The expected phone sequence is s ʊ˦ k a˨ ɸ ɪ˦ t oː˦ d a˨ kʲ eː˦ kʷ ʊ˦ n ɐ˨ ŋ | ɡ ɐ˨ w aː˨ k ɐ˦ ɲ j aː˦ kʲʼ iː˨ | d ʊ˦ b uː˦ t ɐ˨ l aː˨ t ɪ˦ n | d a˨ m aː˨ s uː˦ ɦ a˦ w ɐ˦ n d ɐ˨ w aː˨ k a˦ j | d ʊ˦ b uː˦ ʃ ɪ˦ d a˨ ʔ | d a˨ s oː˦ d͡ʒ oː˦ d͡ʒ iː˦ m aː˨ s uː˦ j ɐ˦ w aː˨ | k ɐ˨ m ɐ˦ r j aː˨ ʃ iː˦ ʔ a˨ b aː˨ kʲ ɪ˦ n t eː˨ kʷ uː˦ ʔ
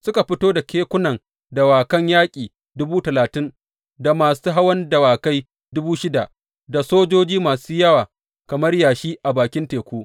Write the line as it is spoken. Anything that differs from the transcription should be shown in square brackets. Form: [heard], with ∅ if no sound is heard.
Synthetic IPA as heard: s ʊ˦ k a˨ ɸ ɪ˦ t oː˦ d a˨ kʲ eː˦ kʷ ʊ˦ n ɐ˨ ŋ | [d] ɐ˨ w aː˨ k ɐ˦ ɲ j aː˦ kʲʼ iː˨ | d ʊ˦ b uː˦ t ɐ˨ l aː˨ t ɪ˦ n | d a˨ m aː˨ s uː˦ ɦ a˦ w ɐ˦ n d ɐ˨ w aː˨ k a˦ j | d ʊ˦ b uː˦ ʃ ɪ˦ d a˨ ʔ | d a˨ s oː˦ d͡ʒ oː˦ d͡ʒ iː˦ m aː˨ s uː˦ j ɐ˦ w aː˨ | k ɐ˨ m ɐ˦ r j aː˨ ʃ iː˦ ʔ a˨ b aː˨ kʲ ɪ˦ n t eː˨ kʷ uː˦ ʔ